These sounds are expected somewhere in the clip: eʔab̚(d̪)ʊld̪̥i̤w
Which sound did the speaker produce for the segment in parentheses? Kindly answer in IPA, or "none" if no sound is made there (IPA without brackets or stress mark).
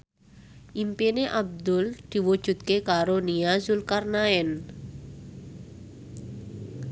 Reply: d̪